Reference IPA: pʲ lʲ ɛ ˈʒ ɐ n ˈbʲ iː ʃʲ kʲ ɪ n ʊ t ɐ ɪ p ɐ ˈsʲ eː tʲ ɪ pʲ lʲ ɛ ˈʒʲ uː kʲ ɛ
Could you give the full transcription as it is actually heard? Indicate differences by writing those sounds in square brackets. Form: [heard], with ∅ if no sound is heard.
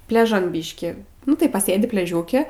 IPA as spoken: pʲ lʲ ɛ ˈʒ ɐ n ˈbʲ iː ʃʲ kʲ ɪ n ʊ t ɐ ɪ p ɐ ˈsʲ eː [dʲ] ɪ pʲ lʲ ɛ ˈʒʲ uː kʲ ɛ